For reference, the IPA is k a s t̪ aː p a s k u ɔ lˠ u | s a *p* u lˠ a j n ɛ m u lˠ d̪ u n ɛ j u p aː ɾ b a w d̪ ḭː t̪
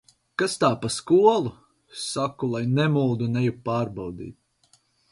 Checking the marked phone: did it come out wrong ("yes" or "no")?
yes